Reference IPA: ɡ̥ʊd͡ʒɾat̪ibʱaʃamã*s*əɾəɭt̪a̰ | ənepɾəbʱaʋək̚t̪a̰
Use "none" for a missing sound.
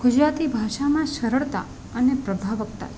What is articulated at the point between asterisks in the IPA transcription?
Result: ʃ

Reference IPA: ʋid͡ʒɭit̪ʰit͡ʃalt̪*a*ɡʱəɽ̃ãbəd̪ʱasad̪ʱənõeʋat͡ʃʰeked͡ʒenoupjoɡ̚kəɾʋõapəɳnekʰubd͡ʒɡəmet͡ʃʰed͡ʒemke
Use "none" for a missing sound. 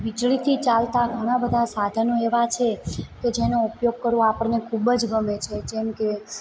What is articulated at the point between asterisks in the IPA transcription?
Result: a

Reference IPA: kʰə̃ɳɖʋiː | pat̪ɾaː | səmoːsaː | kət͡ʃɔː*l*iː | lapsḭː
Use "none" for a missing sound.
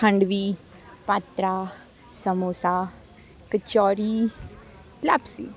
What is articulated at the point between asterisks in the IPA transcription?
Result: ɾ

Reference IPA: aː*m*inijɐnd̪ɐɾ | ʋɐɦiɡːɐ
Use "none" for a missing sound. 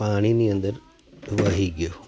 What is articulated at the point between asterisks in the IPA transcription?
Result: ɳ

